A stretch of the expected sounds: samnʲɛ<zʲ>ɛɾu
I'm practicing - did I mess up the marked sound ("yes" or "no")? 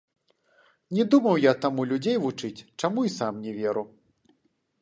yes